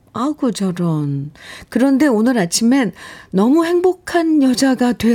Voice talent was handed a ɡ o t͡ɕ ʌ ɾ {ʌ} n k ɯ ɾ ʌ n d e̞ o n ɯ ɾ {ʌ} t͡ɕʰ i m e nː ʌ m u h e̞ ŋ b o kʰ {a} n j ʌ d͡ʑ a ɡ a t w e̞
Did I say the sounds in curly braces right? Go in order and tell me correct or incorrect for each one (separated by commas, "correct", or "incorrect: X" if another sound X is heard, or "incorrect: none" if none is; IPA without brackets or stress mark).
correct, incorrect: a, correct